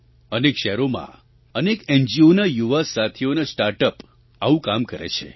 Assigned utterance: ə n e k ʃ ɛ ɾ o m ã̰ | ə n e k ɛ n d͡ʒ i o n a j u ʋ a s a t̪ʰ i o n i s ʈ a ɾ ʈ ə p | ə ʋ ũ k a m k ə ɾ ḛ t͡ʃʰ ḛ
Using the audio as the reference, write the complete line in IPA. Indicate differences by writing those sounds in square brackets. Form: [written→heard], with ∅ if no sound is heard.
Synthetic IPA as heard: ə n e k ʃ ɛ ɾ o m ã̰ | ə n e k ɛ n d͡ʒ i o n a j u ʋ a s a t̪ʰ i o n [i→a] s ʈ a ɾ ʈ ə p | [ə→a] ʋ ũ k a m k ə ɾ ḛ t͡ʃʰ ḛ